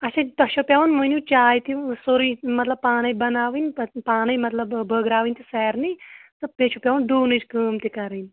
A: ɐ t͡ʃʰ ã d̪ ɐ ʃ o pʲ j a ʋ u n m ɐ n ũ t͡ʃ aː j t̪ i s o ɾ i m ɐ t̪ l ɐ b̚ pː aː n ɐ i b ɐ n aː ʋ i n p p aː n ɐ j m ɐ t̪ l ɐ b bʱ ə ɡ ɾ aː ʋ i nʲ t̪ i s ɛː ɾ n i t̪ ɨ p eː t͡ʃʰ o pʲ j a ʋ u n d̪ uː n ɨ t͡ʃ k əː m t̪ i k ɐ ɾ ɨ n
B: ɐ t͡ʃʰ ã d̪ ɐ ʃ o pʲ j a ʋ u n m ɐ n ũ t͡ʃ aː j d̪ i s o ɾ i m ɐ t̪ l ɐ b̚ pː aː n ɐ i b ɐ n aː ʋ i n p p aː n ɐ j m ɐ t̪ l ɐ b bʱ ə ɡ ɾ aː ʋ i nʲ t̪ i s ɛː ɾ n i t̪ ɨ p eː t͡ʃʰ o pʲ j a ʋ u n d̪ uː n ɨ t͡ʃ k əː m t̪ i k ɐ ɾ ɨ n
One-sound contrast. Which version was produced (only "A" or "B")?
A